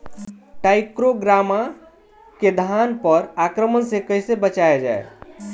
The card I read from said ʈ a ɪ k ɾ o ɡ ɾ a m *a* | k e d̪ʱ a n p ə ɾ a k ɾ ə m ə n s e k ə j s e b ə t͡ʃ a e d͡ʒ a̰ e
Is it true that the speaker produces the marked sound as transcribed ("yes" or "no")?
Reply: yes